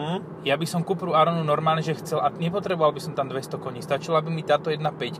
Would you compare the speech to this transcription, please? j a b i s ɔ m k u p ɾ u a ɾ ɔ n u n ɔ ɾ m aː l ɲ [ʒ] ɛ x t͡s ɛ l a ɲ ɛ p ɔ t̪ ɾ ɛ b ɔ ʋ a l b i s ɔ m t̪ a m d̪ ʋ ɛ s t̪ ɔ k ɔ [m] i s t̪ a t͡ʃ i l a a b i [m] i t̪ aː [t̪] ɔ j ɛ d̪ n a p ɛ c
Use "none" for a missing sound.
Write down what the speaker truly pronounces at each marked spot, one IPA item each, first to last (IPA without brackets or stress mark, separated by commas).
ʒ, ɲ, m, t̪